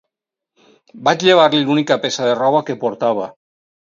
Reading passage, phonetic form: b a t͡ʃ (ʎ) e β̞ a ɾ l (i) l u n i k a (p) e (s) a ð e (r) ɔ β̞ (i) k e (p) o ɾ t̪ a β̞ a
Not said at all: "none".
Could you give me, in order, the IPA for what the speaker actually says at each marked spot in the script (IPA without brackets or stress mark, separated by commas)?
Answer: ʎ, i, p, s, r, a, p